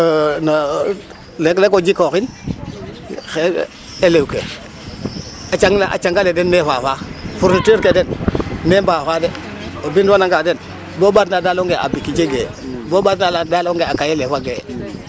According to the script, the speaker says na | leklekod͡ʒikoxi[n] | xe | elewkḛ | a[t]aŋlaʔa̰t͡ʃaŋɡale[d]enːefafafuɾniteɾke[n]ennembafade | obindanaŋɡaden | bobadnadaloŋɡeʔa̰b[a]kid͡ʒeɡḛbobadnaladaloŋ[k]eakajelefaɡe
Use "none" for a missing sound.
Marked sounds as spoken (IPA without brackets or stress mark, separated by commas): n, t͡ʃ, d, d, i, ɡ